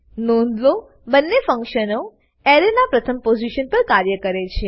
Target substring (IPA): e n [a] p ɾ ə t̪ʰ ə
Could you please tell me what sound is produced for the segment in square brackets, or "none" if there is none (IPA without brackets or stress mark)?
a